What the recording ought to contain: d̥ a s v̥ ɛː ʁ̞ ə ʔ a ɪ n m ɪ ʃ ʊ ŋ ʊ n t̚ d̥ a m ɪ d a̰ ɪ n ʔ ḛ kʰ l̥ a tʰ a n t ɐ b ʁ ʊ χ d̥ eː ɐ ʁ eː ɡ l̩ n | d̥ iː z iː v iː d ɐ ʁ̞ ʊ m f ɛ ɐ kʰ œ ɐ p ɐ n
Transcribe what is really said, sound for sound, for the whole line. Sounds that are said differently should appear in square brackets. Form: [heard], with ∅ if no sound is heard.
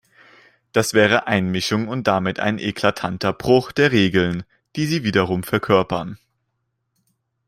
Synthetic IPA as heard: d̥ a s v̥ ɛː ʁ̞ ə ʔ a ɪ n m ɪ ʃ ʊ ŋ ʊ n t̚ d̥ a m ɪ [t] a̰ ɪ n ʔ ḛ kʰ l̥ a tʰ a n t ɐ b ʁ ʊ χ d̥ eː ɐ ʁ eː ɡ l̩ n | d̥ iː z iː v iː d ɐ ʁ̞ ʊ m f ɛ ɐ kʰ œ ɐ p ɐ n